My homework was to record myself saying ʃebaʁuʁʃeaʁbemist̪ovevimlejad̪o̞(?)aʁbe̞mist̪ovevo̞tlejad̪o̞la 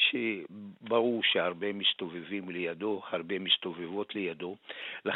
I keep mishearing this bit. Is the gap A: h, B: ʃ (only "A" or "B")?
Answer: A